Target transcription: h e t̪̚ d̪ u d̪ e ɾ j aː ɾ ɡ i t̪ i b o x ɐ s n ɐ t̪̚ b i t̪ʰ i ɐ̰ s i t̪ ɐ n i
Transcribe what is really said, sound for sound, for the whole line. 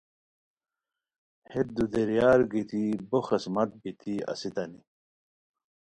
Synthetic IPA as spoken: h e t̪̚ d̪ u d̪ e ɾ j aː ɾ ɡ i t̪ i b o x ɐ s m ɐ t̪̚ b i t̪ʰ i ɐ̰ s i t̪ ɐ n i